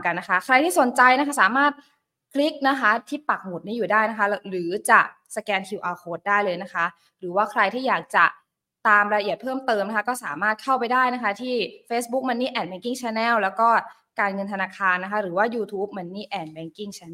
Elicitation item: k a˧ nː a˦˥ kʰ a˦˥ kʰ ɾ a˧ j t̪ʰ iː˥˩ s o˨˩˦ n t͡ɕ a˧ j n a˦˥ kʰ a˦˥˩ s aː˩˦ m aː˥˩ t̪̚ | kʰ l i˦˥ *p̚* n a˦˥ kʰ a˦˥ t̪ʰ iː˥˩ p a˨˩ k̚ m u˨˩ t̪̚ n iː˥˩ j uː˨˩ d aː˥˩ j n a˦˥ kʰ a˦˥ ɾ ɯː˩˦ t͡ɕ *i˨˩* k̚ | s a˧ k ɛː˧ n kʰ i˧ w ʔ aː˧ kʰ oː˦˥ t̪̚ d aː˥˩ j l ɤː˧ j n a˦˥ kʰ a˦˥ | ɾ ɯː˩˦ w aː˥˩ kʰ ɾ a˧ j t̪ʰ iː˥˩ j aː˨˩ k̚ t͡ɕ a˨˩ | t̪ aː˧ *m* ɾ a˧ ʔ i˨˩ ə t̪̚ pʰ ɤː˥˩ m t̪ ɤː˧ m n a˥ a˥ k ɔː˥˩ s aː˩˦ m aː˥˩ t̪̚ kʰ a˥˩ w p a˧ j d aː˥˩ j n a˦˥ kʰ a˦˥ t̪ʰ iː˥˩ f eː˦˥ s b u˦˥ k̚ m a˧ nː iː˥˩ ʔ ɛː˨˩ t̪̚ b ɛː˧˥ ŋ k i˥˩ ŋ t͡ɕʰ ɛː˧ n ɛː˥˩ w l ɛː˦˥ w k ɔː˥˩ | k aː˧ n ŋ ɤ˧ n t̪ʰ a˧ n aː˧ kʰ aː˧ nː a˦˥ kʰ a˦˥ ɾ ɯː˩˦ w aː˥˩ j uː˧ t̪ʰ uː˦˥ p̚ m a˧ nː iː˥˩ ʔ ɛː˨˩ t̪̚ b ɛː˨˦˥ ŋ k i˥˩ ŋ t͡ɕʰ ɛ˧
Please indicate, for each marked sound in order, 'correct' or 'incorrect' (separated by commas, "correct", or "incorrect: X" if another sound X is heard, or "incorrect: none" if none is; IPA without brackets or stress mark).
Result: incorrect: k̚, incorrect: a˨˩, correct